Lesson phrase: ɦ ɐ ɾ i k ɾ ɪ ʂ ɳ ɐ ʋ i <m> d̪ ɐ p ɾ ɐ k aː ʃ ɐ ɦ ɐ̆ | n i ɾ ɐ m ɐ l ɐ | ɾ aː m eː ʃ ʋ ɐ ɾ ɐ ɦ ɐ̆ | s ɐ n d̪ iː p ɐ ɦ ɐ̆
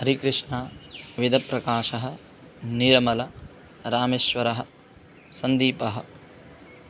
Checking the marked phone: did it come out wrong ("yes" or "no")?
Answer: yes